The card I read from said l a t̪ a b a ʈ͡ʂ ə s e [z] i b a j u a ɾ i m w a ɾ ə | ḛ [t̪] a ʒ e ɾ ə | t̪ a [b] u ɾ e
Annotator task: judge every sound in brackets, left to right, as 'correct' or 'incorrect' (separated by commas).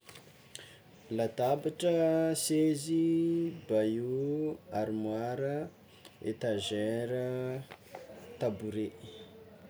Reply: correct, correct, correct